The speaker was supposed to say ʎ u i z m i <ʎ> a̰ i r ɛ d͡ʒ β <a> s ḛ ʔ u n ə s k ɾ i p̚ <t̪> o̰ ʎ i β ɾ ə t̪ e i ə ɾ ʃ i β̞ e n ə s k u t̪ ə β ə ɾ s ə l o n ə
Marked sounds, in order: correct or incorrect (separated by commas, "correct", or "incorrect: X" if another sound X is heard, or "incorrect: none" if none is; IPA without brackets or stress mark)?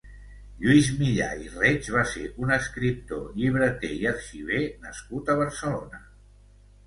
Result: correct, correct, correct